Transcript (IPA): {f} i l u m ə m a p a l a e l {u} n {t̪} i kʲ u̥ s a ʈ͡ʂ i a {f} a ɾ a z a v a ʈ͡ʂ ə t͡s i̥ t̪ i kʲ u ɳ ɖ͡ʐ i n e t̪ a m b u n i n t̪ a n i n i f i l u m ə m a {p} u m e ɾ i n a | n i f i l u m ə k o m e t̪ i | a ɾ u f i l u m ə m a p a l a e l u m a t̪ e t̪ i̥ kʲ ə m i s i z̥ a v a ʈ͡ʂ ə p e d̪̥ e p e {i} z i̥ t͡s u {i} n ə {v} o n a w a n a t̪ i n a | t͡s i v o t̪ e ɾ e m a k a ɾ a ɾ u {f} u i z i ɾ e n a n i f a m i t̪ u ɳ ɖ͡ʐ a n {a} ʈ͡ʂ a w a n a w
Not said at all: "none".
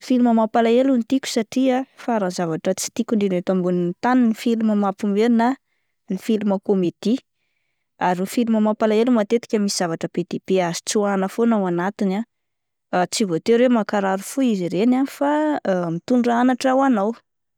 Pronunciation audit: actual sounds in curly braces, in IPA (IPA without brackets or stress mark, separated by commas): f, u, t̪, f, p, a, a, f, f, a